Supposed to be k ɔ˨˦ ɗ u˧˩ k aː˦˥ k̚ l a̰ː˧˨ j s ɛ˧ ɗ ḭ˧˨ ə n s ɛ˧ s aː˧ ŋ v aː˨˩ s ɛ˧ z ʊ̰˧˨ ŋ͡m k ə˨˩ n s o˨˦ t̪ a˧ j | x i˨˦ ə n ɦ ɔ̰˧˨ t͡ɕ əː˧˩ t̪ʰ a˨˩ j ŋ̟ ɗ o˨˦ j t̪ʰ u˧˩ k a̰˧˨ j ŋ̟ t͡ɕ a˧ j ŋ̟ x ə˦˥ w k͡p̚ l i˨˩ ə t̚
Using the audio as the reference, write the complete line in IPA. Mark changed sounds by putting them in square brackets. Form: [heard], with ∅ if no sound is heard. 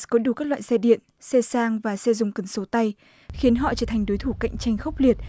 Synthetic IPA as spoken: k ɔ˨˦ ɗ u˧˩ k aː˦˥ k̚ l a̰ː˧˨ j s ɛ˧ ɗ ḭ˧˨ ə n s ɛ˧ s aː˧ ŋ v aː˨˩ s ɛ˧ z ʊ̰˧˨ ŋ͡m k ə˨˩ n s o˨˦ t̪ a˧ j | x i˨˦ ə n ɦ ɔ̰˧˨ t͡ɕ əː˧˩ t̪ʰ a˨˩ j ŋ̟ ɗ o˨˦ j t̪ʰ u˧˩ k a̰˧˨ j ŋ̟ t͡ɕ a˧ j ŋ̟ x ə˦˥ w k͡p̚ l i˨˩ ə t̚